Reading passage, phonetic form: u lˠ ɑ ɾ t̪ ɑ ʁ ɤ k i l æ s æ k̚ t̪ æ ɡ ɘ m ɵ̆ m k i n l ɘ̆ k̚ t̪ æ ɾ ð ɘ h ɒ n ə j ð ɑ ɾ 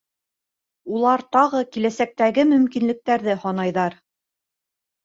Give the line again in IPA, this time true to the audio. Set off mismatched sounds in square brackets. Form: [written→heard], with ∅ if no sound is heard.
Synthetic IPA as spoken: u lˠ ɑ ɾ t̪ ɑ ʁ ɤ k i l æ s æ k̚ t̪ æ ɡ ɘ m ɵ̆ m k i n l ɘ̆ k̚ t̪ æ ɾ ð ɘ h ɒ n [ə→ɑ] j ð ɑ ɾ

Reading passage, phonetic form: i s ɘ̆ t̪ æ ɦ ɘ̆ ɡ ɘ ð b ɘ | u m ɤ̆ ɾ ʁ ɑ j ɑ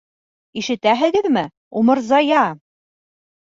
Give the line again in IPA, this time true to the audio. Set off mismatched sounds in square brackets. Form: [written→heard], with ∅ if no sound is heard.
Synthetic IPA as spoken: i [s→ʃ] ɘ̆ t̪ æ ɦ ɘ̆ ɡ ɘ ð [b→m] ɘ | u m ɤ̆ ɾ [ʁ→z] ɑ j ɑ

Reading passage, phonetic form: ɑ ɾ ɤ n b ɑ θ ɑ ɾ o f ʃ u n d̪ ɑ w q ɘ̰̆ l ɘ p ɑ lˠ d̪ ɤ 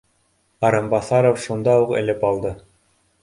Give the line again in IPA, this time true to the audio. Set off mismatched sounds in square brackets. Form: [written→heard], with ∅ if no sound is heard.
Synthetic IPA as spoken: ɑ ɾ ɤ [n→m] b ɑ θ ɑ ɾ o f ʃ u n d̪ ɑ [w→u] q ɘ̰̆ l ɘ p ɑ lˠ d̪ ɤ

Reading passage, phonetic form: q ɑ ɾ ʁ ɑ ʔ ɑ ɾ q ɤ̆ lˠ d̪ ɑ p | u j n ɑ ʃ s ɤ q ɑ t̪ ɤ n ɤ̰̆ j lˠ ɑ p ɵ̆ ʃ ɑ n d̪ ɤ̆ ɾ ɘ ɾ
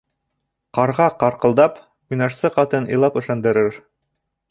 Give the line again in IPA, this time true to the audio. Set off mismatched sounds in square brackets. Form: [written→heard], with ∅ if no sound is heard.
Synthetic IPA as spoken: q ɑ ɾ ʁ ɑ [ʔ→q] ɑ ɾ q ɤ̆ lˠ d̪ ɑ p | u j n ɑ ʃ s ɤ q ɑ t̪ ɤ n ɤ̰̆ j lˠ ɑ p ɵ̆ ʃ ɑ n d̪ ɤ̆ ɾ ɘ ɾ

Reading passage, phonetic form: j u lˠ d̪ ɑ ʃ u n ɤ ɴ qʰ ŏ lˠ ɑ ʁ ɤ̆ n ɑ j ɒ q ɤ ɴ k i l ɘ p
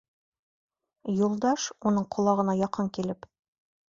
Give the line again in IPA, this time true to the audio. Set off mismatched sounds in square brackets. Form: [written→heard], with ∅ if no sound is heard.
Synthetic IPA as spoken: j u lˠ d̪ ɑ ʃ u n ɤ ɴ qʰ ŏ lˠ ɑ ʁ ɤ̆ n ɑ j ɒ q ɤ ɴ k i l ɘ p

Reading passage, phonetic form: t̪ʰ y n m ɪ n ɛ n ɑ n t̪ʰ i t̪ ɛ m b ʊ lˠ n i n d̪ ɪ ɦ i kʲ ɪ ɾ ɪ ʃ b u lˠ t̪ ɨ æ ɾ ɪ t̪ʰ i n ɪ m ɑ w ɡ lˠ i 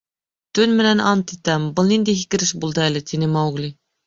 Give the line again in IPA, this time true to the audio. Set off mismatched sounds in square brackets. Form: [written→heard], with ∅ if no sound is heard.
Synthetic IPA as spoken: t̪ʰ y n m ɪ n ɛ n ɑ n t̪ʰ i t̪ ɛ m b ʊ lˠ n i n d̪ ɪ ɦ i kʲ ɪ ɾ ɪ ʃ b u lˠ [t̪→d̪] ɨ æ [ɾ→l] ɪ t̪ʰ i n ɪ m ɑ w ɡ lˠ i

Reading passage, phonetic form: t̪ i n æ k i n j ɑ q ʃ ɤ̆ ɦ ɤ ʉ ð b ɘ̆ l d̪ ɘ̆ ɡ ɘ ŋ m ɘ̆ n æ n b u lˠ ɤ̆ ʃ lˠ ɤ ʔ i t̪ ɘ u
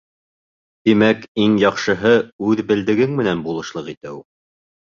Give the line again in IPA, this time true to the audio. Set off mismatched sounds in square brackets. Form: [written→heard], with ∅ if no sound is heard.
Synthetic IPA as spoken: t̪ i [n→m] æ k i [n→ŋ] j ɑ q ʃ ɤ̆ ɦ ɤ ʉ ð b ɘ̆ l d̪ ɘ̆ ɡ ɘ ŋ m ɘ̆ n æ n b u lˠ ɤ̆ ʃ lˠ ɤ [ʔ→q] i t̪ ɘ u

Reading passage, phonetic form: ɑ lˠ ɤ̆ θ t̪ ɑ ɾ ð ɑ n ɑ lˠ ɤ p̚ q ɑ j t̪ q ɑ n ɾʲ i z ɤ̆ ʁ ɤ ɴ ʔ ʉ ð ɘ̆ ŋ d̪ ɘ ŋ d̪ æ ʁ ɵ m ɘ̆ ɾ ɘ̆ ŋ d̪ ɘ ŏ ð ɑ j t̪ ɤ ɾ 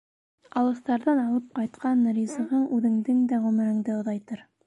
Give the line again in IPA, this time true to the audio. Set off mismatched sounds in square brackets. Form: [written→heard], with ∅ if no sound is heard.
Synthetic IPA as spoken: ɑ lˠ ɤ̆ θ t̪ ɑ ɾ ð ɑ n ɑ lˠ ɤ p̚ q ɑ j t̪ q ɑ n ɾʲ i z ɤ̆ ʁ ɤ ɴ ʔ ʉ ð ɘ̆ ŋ d̪ ɘ ŋ d̪ æ ʁ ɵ m ɘ̆ ɾ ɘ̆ ŋ d̪ ɘ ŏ ð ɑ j t̪ ɤ ɾ

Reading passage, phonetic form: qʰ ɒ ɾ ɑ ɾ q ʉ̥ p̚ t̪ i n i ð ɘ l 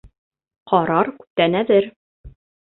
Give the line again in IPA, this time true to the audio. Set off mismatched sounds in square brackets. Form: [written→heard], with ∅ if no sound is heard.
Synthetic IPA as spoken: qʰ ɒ ɾ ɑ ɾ [q→k] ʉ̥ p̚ t̪ [i→æ] n [i→æ] ð ɘ [l→ɾ]

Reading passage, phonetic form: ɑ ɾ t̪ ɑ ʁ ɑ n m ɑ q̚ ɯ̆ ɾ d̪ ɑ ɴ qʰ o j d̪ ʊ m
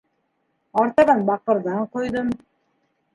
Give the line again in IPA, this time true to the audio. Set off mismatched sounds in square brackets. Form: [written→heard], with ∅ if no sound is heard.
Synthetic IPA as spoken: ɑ ɾ t̪ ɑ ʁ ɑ n [m→b] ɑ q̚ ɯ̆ ɾ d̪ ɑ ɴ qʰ o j d̪ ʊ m

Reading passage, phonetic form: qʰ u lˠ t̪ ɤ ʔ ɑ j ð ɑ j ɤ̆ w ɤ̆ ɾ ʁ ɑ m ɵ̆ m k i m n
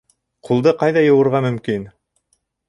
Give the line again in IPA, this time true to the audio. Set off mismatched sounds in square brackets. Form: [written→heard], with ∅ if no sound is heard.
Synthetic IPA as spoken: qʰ u lˠ [t̪→d̪] ɤ [ʔ→q] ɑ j ð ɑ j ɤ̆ w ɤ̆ ɾ ʁ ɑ m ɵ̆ m k i [m→∅] n

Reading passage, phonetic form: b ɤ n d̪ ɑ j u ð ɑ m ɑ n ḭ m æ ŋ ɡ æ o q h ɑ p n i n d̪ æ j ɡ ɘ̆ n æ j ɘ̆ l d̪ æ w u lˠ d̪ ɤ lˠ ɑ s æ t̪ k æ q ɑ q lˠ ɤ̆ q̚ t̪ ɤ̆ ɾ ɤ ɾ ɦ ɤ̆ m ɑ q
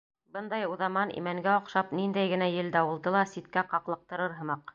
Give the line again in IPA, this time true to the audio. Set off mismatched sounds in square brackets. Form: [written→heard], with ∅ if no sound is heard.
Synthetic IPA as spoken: b ɤ n d̪ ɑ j u ð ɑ m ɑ n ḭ m æ ŋ ɡ æ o q [h→ʃ] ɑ p n i n d̪ æ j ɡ ɘ̆ n æ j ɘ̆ l d̪ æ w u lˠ d̪ ɤ lˠ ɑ s [æ→i] t̪ k æ q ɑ q lˠ ɤ̆ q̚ t̪ ɤ̆ ɾ ɤ ɾ ɦ ɤ̆ m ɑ q

